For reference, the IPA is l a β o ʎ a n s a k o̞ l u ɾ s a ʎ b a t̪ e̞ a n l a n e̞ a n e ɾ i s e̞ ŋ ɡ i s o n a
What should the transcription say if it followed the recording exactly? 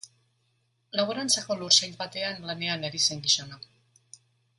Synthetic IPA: l a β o ɾ a n t͡s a k o̞ l u ɾ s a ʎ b a t̪ e̞ a n l a n e̞ a n e ɾ i s e̞ ŋ ɡ i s o n a